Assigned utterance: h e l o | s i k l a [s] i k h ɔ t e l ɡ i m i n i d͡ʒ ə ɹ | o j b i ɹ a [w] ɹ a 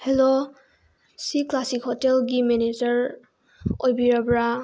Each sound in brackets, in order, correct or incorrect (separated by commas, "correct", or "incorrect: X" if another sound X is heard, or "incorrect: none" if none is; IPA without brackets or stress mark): correct, incorrect: b